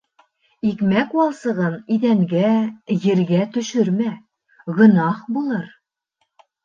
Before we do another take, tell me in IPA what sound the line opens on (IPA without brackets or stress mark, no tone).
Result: i